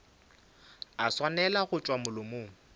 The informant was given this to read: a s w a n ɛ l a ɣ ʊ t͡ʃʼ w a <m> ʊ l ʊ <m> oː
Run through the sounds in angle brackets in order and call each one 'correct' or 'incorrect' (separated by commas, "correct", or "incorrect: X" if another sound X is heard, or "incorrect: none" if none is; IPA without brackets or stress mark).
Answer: correct, correct